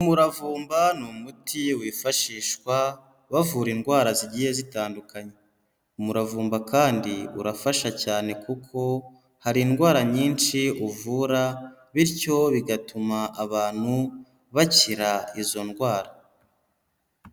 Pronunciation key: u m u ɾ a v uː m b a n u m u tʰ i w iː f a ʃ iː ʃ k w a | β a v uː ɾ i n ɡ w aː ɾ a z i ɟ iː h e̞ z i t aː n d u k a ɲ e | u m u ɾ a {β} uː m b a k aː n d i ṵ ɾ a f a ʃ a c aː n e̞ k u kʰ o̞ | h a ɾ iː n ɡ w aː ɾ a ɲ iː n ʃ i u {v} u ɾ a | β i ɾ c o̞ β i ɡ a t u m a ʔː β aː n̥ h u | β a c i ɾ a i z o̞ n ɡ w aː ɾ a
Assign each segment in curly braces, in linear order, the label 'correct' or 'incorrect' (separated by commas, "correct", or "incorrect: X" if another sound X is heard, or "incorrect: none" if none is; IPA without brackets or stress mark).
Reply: incorrect: v, correct